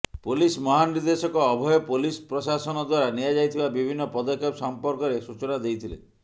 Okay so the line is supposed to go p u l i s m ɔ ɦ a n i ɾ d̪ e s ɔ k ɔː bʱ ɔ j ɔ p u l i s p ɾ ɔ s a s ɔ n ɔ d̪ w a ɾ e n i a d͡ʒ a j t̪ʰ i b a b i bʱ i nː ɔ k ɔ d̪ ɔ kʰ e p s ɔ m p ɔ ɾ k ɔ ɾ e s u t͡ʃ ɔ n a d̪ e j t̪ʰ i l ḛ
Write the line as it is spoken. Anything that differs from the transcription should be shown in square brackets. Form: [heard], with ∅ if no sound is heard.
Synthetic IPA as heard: p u l i s m ɔ ɦ a n i ɾ d̪ e s ɔ k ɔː bʱ ɔ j ɔ p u l i s p ɾ ɔ s a s ɔ n ɔ d̪ w a ɾ [a] n i a d͡ʒ a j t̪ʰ i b a b i bʱ i nː ɔ [p] ɔ d̪ ɔ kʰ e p s ɔ m p ɔ ɾ k ɔ ɾ e s u t͡ʃ ɔ n a d̪ e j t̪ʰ i l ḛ